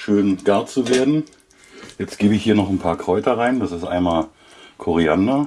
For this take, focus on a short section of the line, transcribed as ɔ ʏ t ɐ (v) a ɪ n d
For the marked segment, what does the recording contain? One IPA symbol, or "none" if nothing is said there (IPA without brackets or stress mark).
ʁ